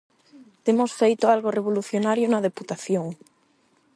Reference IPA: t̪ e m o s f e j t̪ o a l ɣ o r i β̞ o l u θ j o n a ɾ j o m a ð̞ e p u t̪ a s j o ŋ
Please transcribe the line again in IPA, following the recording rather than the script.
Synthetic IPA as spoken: t̪ e m o s f e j t̪ o a l ɣ o r e β̞ o l u θ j o n a ɾ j o n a ð̞ e p u t̪ a θ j o ŋ